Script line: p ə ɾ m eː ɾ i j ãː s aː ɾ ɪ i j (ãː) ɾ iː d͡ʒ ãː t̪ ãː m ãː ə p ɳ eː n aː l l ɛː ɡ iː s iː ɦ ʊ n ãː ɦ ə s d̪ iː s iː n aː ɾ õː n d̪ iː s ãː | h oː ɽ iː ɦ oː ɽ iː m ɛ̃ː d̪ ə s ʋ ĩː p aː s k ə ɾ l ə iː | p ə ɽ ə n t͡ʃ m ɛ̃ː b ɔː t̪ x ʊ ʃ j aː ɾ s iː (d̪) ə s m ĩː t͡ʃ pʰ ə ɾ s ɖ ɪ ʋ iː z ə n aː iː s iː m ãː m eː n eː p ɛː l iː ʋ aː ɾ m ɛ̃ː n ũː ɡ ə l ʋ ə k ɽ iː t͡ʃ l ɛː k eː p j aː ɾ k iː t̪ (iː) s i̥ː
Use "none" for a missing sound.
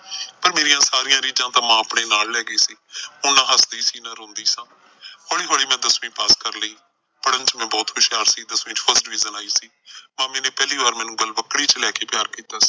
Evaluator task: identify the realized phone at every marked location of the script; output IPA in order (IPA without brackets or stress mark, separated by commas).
ãː, d̪, aː